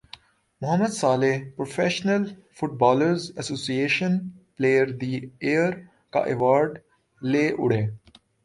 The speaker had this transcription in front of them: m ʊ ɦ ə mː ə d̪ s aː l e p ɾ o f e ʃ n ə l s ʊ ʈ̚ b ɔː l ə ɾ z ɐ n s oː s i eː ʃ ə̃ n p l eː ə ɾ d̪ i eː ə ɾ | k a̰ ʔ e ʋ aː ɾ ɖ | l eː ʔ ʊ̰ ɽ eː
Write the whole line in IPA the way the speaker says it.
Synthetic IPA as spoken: m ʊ ɦ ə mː ə d̪ s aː l e p ɾ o f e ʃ n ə l f ʊ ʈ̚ b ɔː l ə ɾ z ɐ s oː s i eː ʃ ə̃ n p l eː ə ɾ d̪ i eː ə ɾ | k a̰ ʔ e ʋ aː ɾ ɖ | l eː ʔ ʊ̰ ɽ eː